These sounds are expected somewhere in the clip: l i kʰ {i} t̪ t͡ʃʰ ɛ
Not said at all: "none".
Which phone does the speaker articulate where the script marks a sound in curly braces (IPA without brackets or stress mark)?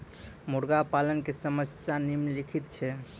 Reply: i